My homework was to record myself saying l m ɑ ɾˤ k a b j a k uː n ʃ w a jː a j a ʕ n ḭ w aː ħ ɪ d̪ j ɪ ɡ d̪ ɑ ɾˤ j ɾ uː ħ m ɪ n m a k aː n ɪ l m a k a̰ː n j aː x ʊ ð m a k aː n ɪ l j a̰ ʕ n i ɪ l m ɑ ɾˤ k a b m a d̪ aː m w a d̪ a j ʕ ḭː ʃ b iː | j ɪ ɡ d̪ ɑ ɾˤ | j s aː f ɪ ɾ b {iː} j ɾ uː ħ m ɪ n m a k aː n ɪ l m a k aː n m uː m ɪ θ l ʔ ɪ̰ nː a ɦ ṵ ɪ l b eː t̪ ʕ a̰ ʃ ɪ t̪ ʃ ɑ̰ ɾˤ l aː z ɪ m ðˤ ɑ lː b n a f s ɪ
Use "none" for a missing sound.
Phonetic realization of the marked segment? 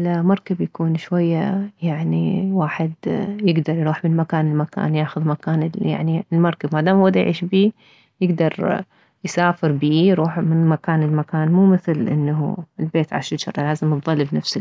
iː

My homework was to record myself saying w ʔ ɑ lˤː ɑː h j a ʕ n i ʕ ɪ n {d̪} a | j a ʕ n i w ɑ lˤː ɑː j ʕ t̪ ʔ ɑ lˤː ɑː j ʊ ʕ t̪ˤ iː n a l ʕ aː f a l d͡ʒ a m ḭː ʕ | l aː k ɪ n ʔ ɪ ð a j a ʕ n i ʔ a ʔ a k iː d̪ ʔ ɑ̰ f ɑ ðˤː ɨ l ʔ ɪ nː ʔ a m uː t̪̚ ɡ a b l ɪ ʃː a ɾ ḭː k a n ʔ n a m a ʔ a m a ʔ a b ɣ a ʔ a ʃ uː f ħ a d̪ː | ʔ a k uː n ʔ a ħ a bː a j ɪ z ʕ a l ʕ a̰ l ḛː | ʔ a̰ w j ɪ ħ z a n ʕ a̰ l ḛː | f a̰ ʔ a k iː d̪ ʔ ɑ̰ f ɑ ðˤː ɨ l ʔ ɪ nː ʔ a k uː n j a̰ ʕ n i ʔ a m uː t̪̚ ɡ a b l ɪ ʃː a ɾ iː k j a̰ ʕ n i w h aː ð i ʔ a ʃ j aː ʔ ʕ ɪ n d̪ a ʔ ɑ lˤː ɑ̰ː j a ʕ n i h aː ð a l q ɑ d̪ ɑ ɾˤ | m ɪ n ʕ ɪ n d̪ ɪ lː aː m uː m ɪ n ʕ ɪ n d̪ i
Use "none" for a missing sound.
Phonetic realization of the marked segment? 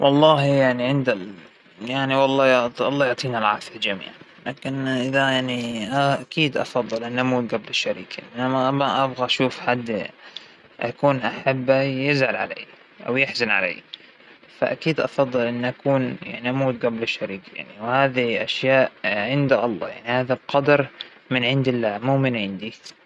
d̪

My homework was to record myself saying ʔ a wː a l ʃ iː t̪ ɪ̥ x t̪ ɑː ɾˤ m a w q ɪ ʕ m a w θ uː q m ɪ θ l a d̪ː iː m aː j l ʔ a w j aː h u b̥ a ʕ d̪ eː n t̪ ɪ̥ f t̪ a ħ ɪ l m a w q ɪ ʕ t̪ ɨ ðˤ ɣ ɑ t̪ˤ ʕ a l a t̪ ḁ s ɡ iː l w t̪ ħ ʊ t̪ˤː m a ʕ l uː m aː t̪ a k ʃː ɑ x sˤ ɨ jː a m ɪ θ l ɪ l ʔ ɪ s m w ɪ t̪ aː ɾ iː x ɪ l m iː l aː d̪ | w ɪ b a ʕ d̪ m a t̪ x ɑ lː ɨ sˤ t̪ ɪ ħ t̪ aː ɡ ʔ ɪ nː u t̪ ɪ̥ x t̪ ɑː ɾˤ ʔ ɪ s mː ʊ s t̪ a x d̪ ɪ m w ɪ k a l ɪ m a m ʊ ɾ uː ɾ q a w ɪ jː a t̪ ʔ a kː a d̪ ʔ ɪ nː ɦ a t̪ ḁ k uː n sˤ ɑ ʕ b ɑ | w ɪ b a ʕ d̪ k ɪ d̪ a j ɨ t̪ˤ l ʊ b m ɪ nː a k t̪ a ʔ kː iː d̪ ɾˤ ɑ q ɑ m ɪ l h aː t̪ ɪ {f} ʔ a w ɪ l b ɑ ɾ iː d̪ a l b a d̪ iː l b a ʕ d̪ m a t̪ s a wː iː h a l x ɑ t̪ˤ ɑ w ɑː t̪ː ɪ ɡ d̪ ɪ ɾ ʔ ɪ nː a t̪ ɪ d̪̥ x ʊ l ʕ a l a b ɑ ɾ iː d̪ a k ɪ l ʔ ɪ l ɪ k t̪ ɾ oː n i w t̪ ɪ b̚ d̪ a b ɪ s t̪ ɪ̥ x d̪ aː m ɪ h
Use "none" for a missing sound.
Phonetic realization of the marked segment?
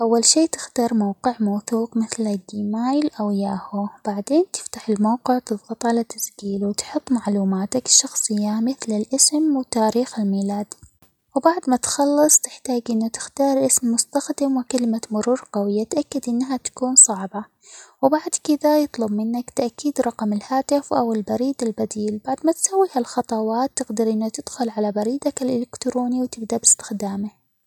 f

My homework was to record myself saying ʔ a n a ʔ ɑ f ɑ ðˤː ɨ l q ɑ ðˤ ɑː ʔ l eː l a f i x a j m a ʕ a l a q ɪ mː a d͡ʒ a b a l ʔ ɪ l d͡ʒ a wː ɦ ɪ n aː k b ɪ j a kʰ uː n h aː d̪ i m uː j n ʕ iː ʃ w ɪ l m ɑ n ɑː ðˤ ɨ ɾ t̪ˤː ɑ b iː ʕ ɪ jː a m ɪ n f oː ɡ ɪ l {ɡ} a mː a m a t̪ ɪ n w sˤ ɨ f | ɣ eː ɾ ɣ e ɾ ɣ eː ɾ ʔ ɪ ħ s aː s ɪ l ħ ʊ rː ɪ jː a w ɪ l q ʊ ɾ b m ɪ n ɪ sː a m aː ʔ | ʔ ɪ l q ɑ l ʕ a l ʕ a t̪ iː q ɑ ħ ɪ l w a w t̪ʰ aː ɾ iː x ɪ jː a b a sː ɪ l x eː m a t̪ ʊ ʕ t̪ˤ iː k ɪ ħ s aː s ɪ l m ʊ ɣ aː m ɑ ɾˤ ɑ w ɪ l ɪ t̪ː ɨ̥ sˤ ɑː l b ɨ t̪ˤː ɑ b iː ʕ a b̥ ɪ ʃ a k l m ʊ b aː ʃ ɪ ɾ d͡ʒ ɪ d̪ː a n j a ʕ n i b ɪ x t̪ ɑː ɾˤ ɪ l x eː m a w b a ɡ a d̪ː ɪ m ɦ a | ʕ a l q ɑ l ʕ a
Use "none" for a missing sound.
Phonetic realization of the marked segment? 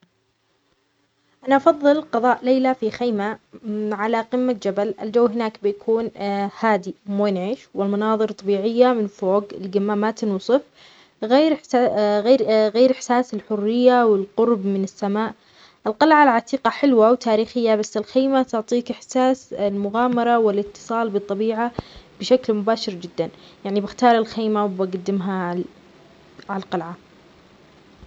ɡ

